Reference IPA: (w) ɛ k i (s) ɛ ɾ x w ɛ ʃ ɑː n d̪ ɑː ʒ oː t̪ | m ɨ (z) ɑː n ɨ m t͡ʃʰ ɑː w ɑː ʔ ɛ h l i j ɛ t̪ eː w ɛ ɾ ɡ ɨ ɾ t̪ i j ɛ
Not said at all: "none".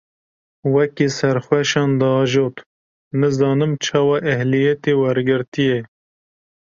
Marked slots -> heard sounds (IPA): w, s, z

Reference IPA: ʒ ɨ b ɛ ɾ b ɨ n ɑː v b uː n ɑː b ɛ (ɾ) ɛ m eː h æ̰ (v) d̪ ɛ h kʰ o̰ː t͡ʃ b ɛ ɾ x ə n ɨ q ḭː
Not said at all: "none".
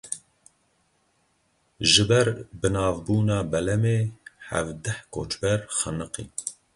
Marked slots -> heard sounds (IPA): l, v

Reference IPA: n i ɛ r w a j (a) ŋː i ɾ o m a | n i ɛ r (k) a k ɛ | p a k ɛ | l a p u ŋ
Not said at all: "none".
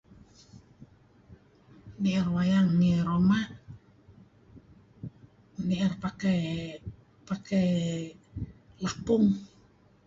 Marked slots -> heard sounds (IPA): a, p

